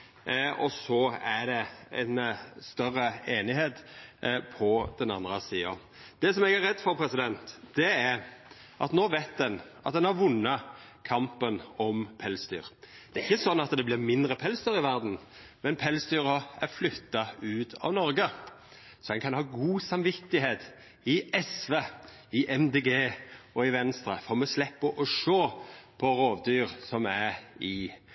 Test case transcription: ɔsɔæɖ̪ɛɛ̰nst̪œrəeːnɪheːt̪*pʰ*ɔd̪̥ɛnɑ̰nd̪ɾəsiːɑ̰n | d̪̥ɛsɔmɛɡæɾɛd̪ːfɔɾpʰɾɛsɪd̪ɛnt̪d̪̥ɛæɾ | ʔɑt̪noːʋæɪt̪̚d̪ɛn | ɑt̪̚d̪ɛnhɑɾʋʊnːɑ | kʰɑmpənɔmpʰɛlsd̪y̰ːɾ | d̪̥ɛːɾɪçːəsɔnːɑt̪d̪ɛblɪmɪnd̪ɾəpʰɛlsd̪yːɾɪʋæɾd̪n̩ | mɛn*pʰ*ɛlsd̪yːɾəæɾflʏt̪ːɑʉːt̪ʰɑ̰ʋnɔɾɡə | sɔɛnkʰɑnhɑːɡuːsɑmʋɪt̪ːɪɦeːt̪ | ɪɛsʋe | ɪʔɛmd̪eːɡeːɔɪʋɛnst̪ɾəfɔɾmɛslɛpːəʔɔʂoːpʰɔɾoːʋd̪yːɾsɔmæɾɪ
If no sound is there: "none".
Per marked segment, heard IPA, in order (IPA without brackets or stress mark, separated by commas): pʰ, pʰ